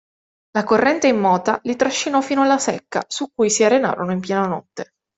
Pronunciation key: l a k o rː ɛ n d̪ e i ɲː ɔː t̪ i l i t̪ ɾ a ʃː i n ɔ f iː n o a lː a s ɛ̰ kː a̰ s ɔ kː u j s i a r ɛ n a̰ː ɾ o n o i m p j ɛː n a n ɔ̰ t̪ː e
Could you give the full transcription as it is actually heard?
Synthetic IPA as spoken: l a k o rː ɛ n t̪ e i mː ɔː t̪ a l i t̪ ɾ a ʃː i n ɔ f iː n o a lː a s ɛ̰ kː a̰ s u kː u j s i a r e n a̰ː ɾ o n o i m p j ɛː n a n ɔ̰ t̪ː e

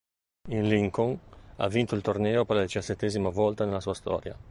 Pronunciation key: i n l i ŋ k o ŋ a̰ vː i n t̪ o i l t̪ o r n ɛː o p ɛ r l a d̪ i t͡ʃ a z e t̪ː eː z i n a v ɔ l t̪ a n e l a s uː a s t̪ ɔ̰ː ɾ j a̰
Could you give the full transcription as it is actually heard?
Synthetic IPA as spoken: i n l i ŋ k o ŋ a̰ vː i n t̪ o i l t̪ o r n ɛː o p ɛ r l a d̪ i t͡ʃ a s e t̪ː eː z i m a v ɔ l t̪ a n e l a s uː a s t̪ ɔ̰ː ɾ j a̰

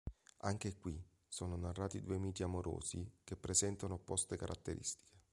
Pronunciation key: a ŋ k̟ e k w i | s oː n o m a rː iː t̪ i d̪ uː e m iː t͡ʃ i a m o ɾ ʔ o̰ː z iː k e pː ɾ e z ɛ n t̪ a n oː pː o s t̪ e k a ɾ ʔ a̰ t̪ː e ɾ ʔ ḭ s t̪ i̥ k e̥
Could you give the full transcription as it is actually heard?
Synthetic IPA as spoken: a ŋ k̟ e k w i | s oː n o n a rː aː t̪ i d̪ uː e m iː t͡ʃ i a m o ɾ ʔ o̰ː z i k e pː ɾ e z ɛ n t̪ a n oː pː ɔ s t̪ e k a ɾ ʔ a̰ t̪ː e ɾ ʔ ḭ s t̪ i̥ k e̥

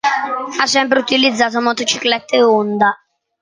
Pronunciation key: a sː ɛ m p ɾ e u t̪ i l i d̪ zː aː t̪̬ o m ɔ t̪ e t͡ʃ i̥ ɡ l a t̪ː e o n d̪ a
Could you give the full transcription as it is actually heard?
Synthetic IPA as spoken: a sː ɛ m p ɾ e u t̪ i l i d̪ zː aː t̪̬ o m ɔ t̪ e t͡ʃ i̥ k l ɛ t̪ː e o n d̪ a

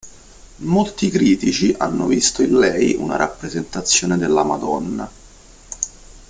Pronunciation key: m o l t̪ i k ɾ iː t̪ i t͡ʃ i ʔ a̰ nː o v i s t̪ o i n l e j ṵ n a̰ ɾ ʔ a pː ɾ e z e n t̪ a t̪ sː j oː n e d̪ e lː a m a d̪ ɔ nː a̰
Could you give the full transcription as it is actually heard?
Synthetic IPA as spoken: m o l t̪ i k ɾ iː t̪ i t͡ʃ i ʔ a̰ nː o v i s t̪ o i n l ɛ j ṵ n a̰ ɾ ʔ a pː ɾ e z e n t̪ a t̪ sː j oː n e d̪ e lː a m a d̪ ɔ nː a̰

